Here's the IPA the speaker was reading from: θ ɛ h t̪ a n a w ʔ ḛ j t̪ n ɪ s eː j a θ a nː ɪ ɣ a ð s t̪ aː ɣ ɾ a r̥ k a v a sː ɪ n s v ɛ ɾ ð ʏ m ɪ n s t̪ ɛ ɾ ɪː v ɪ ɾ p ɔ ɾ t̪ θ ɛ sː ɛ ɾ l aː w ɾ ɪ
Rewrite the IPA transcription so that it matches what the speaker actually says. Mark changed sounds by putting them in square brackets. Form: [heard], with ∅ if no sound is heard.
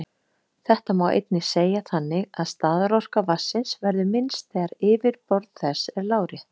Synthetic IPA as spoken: θ ɛ h t̪ a [m] a w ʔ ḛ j t̪ n ɪ s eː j a θ a nː ɪ ɣ a ð s t̪ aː [ð] ɾ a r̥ k a v a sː ɪ n s v ɛ ɾ ð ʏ m ɪ n s t̪ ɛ ɾ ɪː v ɪ ɾ p ɔ ɾ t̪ θ ɛ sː ɛ ɾ l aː w ɾ ɪ